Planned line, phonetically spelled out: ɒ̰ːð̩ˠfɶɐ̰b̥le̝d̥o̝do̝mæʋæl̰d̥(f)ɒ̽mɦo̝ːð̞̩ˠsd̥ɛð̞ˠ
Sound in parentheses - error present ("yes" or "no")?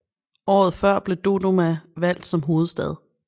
yes